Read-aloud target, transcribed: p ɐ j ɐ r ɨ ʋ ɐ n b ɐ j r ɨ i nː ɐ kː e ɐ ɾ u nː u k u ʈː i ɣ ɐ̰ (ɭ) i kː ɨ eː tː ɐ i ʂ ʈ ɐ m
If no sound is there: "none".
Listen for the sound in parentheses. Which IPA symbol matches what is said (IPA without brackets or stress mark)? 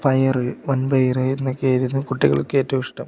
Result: ɭ